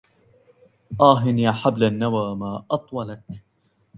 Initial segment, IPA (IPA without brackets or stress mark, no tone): ʔ